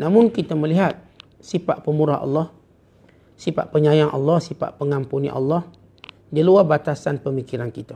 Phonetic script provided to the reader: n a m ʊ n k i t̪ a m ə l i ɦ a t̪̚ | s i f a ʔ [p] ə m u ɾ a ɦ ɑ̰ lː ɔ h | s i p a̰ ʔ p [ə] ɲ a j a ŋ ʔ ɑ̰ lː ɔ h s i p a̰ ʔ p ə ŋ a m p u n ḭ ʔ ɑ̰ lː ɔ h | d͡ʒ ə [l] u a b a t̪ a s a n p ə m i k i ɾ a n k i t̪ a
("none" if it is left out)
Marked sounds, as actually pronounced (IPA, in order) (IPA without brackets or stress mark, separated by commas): p, ə, l